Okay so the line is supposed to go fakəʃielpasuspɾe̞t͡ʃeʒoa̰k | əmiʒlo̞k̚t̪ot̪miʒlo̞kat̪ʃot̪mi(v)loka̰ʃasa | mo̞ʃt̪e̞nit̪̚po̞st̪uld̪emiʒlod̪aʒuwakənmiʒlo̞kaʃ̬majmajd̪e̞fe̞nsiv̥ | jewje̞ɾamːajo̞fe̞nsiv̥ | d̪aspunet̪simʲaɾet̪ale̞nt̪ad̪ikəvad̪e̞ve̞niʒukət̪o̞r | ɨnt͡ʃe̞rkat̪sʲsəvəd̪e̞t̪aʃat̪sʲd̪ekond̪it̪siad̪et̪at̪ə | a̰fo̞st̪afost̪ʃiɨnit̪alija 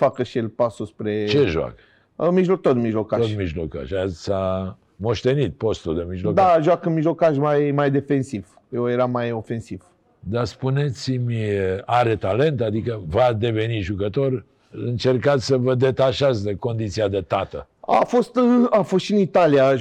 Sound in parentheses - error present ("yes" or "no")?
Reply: yes